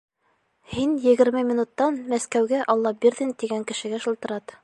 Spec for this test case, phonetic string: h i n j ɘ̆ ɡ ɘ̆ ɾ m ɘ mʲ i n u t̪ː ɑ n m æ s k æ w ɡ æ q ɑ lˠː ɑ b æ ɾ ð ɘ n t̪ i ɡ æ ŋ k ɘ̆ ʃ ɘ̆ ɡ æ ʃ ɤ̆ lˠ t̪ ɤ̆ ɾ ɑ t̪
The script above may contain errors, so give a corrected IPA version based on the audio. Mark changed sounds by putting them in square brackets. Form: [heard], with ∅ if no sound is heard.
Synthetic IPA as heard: h i n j ɘ̆ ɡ ɘ̆ ɾ m ɘ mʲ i n u t̪ː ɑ n m æ s k æ w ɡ æ [ʔ] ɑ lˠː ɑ b [i] ɾ ð ɘ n t̪ i ɡ æ ŋ k ɘ̆ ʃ ɘ̆ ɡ æ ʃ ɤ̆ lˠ t̪ ɤ̆ ɾ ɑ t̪